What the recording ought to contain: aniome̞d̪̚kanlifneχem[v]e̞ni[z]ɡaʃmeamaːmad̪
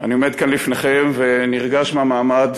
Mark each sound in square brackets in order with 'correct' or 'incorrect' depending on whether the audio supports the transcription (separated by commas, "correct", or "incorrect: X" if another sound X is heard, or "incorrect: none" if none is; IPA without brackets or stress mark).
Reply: correct, incorrect: ʁ